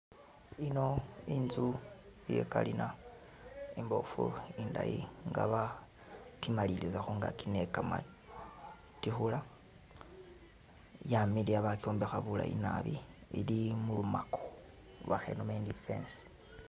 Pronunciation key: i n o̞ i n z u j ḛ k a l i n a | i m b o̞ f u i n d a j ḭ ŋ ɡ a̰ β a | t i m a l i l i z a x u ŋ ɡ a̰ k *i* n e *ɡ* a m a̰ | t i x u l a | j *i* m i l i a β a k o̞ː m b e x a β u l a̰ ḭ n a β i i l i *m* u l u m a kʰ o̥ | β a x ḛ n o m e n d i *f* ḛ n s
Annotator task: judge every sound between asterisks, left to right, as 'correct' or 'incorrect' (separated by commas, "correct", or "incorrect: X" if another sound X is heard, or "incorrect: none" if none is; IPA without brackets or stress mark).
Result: correct, incorrect: k, incorrect: a, correct, correct